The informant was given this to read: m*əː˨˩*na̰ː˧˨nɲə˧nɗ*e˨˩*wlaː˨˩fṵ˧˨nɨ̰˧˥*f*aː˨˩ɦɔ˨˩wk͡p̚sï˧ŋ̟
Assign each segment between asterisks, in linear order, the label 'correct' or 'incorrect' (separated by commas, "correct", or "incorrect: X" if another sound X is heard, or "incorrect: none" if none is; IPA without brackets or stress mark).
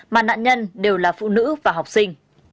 incorrect: aː˨˩, correct, incorrect: v